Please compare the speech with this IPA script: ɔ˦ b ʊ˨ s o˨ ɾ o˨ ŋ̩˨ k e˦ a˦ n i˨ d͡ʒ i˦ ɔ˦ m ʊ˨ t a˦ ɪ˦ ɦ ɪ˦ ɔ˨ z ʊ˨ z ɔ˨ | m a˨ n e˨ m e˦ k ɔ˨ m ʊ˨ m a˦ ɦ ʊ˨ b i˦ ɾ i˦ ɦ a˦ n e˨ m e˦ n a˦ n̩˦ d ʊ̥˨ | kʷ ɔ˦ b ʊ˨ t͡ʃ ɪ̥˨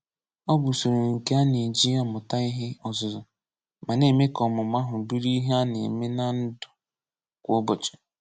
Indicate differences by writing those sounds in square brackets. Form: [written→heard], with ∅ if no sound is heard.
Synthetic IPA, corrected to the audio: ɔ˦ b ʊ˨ s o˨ ɾ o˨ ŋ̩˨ k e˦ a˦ n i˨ d͡ʒ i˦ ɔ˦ m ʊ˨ t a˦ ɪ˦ ɦ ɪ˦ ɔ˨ z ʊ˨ z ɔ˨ | m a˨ n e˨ m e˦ k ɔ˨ m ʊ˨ m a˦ ɦ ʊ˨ b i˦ ɾ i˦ ɦ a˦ n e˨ m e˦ n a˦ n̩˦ d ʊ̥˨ | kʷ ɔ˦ b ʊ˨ t͡ʃ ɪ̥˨